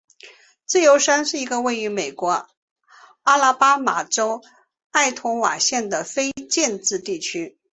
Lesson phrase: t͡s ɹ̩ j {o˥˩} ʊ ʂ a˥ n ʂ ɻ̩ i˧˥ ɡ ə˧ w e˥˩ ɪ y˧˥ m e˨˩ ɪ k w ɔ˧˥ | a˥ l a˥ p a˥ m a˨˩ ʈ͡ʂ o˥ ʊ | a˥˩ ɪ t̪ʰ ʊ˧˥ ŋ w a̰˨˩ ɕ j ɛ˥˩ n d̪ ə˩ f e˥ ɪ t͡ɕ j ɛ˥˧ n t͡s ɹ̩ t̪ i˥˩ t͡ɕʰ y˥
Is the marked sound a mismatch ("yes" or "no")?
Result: yes